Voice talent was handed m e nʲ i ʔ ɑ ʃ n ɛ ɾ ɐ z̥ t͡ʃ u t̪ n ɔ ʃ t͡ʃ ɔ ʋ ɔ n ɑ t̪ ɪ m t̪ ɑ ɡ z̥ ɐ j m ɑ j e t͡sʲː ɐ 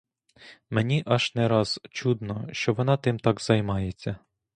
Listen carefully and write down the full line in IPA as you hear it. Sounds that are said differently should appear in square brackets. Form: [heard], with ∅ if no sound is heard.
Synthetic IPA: m e nʲ i ʔ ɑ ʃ n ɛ ɾ [ɑ] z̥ t͡ʃ u [d̪] n ɔ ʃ t͡ʃ ɔ ʋ ɔ n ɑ t̪ ɪ m t̪ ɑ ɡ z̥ ɐ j m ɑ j e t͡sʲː ɐ